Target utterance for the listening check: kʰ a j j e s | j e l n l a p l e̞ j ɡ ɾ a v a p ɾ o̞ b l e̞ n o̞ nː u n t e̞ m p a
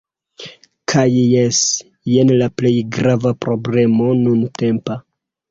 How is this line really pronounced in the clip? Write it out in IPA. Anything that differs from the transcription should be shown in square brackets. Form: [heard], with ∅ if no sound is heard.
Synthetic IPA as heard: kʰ a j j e s | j e [∅] n l a p l e̞ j ɡ ɾ a v a p ɾ o̞ b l e̞ [m] o̞ [n] u n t e̞ m p a

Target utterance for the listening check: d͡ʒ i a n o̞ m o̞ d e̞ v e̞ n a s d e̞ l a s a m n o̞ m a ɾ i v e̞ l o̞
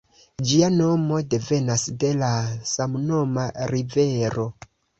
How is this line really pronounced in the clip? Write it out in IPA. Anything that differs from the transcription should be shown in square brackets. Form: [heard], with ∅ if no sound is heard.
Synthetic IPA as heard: d͡ʒ i a n o̞ m o̞ d e̞ v e̞ n a s d e̞ l a s a m n o̞ m a ɾ i v e̞ [ɾ] o̞

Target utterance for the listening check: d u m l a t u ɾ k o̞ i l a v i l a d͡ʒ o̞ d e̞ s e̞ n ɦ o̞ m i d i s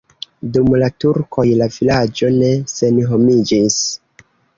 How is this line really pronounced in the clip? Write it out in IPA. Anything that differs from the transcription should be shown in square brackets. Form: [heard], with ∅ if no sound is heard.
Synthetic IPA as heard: d u m l a t u ɾ k o̞ [j] l a v i l a d͡ʒ o̞ [n] e̞ s e̞ n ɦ o̞ m i [d͡ʒ] i s

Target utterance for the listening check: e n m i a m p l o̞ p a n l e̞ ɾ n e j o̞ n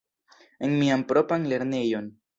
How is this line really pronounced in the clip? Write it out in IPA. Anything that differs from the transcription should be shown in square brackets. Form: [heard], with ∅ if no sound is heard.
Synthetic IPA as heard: e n m i a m p [ɾ] o̞ p a n l e̞ ɾ n e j o̞ n

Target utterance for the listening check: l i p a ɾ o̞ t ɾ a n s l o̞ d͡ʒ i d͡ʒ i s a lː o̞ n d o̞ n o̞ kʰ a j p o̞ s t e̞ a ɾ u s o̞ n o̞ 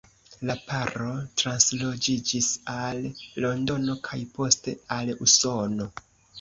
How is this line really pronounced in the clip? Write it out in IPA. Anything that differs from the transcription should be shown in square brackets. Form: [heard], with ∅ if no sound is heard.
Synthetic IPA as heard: l [a] p a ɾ o̞ t ɾ a n s l o̞ d͡ʒ i d͡ʒ i s a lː o̞ n d o̞ n o̞ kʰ a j p o̞ s t e̞ a [l] u s o̞ n o̞

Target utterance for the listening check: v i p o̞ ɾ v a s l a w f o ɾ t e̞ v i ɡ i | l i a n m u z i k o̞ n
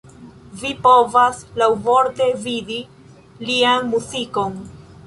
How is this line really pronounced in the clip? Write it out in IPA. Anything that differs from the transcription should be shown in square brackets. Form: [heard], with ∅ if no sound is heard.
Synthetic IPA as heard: v i p o̞ [∅] v a s l a w [v] o ɾ t e̞ v i [d] i | l i a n m u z i k o̞ n

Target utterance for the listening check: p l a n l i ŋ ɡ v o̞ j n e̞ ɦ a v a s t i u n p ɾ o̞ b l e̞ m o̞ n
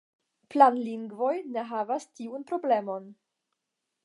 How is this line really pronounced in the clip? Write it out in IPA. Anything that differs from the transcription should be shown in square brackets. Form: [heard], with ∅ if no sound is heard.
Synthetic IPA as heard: p l a n l i ŋ ɡ v o̞ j n e̞ ɦ a v a s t i u n p ɾ o̞ b l e̞ m o̞ n

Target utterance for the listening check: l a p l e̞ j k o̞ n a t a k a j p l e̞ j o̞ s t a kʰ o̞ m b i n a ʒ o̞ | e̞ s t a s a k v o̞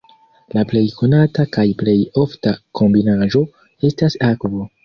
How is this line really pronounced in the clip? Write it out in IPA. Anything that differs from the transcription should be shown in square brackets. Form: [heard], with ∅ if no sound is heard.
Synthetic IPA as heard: l a p l e̞ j k o̞ n a t a k a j p l e̞ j o̞ [f] t a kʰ o̞ m b i n a ʒ o̞ | e̞ s t a s a k v o̞

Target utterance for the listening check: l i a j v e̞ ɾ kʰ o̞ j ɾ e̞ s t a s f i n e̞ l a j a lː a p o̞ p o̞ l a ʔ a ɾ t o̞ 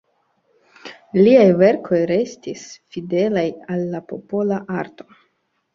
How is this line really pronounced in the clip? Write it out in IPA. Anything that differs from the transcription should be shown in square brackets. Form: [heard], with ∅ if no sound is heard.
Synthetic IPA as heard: l i a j v e̞ ɾ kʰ o̞ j ɾ e̞ s t [i] s f i [d] e̞ l a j a lː a p o̞ p o̞ l a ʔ a ɾ t o̞

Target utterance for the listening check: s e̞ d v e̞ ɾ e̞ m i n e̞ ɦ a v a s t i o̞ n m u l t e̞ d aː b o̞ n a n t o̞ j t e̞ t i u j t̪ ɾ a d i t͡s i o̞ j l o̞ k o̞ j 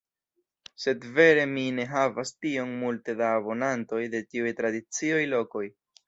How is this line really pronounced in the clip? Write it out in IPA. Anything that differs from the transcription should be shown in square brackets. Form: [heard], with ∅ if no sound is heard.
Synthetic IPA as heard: s e̞ d v e̞ ɾ e̞ m i n e̞ ɦ a v a s t i o̞ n m u l t e̞ d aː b o̞ n a n t o̞ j [d] e̞ t i u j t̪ ɾ a d i t͡s i o̞ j l o̞ k o̞ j

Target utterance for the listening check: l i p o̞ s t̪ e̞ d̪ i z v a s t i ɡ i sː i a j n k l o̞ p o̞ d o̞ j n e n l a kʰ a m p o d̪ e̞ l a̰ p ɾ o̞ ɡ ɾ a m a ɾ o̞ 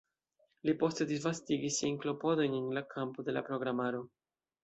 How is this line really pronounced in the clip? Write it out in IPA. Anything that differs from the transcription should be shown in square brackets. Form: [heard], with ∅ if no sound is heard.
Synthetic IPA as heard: l i p o̞ s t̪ e̞ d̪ i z v a s t i ɡ i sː i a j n k l o̞ p o̞ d o̞ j n e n l a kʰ a m p o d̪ e̞ l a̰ p ɾ o̞ ɡ ɾ a m a ɾ o̞

